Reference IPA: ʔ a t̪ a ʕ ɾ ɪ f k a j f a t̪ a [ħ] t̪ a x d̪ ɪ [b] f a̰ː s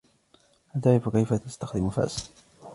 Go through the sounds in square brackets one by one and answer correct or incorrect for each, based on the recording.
incorrect, incorrect

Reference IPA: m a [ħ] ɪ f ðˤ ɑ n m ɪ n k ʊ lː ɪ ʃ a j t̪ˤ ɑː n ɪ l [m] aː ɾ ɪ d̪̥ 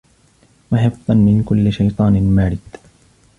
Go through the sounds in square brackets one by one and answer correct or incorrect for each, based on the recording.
correct, correct

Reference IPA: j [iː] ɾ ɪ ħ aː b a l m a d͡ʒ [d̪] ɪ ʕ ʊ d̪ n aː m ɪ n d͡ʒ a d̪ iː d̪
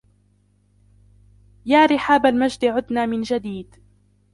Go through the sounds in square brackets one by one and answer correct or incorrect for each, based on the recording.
incorrect, correct

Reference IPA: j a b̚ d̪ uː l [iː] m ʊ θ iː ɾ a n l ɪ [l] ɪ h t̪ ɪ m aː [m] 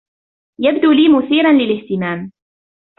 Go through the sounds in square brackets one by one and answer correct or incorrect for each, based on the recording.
correct, correct, correct

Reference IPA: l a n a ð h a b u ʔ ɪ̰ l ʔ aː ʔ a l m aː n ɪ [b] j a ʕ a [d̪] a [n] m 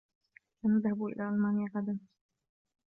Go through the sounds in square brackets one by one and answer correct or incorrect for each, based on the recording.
incorrect, correct, incorrect

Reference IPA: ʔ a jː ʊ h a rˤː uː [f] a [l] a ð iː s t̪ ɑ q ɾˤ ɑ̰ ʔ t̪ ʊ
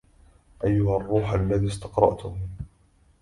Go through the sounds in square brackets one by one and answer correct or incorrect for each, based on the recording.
incorrect, incorrect

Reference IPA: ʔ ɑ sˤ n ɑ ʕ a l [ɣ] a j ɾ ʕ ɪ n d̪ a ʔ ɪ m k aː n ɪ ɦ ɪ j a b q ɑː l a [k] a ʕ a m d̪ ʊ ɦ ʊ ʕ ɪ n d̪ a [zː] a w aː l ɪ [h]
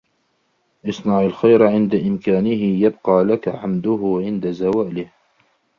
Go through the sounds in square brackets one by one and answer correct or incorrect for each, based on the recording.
incorrect, correct, incorrect, correct

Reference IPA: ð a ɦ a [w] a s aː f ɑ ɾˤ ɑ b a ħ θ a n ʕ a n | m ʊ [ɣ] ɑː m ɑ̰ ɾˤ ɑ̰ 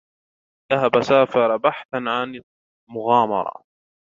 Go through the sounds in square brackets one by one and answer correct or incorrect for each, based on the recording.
incorrect, correct

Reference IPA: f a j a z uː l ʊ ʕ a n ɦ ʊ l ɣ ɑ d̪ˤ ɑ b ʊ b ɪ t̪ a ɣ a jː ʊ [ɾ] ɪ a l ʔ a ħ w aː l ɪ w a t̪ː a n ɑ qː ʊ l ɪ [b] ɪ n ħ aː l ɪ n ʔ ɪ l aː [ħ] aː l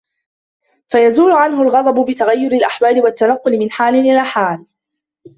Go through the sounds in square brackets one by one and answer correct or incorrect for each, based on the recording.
correct, incorrect, correct

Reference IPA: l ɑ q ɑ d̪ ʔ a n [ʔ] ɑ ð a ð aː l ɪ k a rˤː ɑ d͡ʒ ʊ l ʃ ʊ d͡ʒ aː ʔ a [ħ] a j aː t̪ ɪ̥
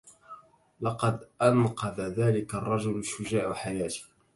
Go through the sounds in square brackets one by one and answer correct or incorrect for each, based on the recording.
incorrect, correct

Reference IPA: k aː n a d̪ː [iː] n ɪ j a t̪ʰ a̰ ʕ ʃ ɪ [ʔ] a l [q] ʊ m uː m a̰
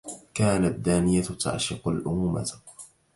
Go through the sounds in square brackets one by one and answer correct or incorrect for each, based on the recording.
incorrect, incorrect, incorrect

